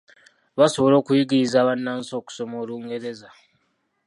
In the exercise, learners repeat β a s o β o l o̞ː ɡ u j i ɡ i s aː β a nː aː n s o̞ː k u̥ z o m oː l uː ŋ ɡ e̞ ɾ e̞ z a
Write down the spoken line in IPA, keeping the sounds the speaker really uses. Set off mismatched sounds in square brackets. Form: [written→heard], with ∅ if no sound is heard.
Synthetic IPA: β a s o β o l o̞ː [ɡ→k] u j i ɡ i [s→z] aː β a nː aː n s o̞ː k u̥ [z→s] o m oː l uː ŋ ɡ e̞ ɾ e̞ z a